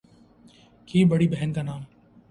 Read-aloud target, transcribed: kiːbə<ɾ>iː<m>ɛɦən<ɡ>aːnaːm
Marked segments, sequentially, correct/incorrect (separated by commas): incorrect, incorrect, incorrect